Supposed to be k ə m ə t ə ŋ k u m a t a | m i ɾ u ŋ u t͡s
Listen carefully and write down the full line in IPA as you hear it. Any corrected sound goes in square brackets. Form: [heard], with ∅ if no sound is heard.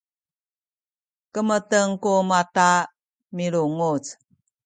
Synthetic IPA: k ə m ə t ə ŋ k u m a t a | m i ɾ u ŋ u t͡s